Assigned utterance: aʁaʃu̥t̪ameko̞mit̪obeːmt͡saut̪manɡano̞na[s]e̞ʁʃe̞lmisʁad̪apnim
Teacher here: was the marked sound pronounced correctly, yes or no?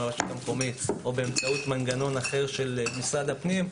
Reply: no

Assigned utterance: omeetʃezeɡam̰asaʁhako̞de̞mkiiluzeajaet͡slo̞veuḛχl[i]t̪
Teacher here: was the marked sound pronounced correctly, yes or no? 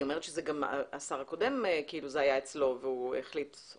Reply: yes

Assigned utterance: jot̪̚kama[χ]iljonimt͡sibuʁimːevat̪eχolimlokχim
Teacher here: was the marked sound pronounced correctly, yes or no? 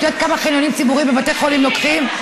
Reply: yes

